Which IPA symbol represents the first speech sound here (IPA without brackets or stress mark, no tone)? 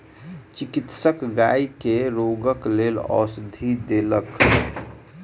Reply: t͡ʃ